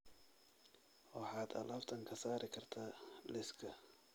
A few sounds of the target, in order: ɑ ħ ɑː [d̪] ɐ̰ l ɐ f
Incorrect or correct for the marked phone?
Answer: correct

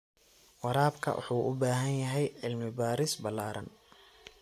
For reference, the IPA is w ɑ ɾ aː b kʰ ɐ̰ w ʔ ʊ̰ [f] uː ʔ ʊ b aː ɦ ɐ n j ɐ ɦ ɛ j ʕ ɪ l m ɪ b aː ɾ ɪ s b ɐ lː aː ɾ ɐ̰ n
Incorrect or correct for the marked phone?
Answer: incorrect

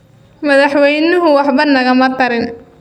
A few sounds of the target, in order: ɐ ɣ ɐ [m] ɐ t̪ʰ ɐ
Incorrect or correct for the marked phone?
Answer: correct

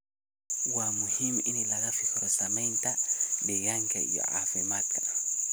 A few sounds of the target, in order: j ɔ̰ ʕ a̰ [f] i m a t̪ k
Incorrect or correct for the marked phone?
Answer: correct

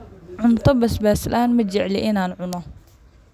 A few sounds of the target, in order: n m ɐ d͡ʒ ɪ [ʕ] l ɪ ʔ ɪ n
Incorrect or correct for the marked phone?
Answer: correct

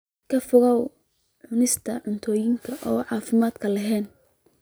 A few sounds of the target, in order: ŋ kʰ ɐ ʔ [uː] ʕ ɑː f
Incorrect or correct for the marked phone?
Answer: incorrect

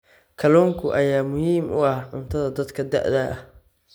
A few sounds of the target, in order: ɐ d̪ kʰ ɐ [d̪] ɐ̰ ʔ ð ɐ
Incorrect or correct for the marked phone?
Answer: correct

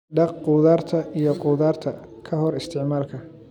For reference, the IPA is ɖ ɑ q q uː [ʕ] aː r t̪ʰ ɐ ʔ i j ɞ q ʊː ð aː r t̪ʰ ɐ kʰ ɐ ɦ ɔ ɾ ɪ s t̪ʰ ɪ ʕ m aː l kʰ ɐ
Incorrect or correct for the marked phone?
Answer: incorrect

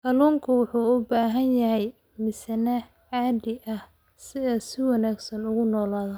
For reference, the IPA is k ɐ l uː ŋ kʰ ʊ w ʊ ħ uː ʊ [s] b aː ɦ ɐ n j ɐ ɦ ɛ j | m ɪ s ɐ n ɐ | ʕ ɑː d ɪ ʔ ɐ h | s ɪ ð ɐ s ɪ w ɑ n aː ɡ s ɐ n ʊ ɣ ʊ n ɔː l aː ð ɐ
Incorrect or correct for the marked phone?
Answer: incorrect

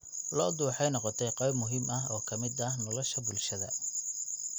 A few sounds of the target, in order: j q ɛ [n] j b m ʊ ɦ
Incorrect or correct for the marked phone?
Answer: incorrect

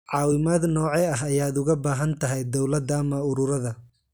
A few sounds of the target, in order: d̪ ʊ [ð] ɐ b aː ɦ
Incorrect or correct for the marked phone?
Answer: incorrect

